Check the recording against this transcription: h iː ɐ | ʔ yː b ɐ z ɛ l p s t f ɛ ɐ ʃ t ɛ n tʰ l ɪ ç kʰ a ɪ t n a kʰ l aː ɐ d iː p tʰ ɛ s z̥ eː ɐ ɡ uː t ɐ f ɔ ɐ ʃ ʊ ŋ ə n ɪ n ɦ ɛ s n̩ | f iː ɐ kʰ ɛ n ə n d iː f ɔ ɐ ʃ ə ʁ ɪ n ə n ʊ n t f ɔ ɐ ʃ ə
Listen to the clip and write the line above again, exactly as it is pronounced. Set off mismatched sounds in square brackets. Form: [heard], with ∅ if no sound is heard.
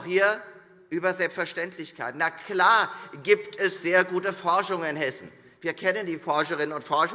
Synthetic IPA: h iː ɐ | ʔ yː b ɐ z ɛ l p s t f ɛ ɐ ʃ t ɛ n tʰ l ɪ ç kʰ a ɪ t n a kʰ l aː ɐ [ɡ] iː p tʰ ɛ s z̥ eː ɐ ɡ uː t [ə] f ɔ ɐ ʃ ʊ ŋ ə n ɪ n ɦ ɛ s n̩ | [v] iː ɐ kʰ ɛ n ə n d iː f ɔ ɐ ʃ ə ʁ ɪ n ə n ʊ n t f ɔ ɐ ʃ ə